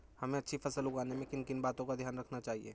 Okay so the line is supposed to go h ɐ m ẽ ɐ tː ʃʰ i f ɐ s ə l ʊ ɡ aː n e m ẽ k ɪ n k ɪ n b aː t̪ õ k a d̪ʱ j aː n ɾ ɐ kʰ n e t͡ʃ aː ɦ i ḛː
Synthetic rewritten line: h ɐ m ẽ ɐ tː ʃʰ i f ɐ s ə l ʊ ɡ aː n e m ẽ k ɪ n k ɪ n b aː t̪ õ k a d̪ʱ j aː n ɾ ɐ kʰ n a t͡ʃ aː ɦ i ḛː

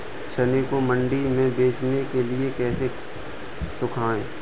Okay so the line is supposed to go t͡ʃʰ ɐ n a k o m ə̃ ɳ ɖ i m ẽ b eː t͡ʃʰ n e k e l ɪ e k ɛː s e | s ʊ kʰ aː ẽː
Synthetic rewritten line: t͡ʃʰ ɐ n e k o m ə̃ ɳ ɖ i m ẽ b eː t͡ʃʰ n e k e l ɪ e k ɛː s e | s ʊ kʰ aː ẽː

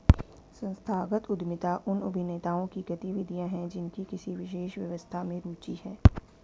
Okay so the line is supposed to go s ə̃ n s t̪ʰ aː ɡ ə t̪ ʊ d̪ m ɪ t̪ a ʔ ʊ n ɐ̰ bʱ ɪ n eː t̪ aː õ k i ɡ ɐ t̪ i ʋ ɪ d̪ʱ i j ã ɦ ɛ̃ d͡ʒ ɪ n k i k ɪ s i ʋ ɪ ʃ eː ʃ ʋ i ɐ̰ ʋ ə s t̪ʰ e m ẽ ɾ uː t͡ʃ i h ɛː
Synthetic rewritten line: s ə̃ n s t̪ʰ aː ɡ ə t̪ ʊ d̪ m ɪ t̪ a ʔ ʊ n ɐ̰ bʱ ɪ n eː t̪ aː õ k i ɡ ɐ t̪ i ʋ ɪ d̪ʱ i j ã ɦ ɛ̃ d͡ʒ ɪ n k i k ɪ s i ʋ ɪ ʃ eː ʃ ʋ j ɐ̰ ʋ ə s t̪ʰ a m ẽ ɾ uː t͡ʃ i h ɛː

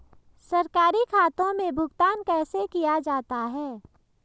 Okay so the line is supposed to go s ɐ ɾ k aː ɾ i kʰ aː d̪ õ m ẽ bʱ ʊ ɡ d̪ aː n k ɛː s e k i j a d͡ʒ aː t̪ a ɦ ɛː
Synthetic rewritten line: s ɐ ɾ k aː ɾ i kʰ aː t̪ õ m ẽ bʱ ʊ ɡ t̪ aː n k ɛː s e k i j a d͡ʒ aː t̪ a ɦ ɛː

